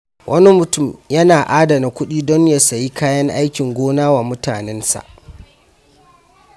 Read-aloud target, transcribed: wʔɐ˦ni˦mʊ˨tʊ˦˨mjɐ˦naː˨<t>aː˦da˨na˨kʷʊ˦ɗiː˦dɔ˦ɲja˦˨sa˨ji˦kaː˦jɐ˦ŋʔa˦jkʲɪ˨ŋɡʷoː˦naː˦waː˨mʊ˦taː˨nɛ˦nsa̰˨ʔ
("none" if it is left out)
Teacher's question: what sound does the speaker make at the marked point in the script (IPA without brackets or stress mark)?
ʔ